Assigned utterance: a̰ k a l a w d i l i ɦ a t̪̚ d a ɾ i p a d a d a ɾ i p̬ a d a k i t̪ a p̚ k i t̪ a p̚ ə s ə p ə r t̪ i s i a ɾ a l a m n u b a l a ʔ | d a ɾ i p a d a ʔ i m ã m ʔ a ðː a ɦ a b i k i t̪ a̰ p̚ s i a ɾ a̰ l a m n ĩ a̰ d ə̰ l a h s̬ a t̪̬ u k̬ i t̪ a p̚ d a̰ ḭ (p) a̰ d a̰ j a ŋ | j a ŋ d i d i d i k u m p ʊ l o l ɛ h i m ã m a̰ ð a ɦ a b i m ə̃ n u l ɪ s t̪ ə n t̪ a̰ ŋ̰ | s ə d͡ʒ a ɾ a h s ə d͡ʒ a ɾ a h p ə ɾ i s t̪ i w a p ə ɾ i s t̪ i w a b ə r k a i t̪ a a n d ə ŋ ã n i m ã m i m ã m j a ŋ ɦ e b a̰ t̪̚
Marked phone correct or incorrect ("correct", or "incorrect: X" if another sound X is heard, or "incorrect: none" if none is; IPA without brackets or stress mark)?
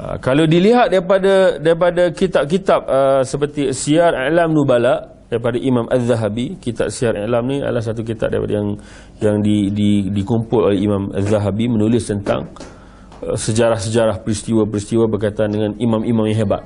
correct